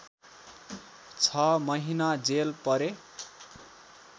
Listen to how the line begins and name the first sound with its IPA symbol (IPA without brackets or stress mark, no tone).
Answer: t͡sʰ